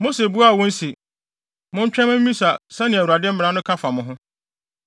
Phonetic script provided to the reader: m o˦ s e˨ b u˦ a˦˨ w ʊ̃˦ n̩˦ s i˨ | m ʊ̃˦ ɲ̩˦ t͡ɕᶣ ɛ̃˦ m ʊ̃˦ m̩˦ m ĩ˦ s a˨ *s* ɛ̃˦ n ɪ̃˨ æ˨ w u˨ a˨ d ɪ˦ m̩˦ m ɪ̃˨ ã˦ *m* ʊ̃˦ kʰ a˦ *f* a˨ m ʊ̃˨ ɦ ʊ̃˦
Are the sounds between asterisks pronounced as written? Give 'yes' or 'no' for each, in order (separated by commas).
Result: yes, no, yes